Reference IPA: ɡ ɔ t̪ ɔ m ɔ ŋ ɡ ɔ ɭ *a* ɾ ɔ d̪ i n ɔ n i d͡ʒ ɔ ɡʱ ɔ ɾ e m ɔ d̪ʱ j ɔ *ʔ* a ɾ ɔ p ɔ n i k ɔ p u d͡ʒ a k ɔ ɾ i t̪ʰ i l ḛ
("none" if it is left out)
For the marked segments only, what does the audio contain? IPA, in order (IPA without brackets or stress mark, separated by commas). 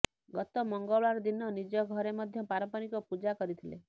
a, p